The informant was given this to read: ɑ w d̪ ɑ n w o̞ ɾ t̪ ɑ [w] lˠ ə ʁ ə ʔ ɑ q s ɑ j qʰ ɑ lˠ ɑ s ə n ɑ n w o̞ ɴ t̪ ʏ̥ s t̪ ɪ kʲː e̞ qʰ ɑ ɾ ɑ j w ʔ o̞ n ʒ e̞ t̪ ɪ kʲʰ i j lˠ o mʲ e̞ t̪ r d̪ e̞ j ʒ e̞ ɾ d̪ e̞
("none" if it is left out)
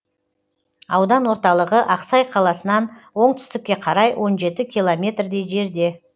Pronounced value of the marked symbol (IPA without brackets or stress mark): none